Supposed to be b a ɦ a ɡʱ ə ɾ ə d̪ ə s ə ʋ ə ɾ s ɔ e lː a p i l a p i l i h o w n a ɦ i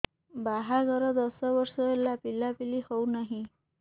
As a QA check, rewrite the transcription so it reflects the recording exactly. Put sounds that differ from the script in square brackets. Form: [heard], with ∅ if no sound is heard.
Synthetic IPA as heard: b a ɦ a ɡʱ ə ɾ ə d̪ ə s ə ʋ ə ɾ s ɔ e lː a p i l a p i l i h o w n a ɦ i